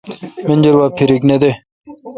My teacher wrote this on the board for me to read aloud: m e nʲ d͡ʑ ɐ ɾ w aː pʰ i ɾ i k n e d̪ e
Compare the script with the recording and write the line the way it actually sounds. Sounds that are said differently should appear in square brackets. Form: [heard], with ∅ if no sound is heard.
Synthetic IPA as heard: m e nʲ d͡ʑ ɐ ɾ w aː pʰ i ɾ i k n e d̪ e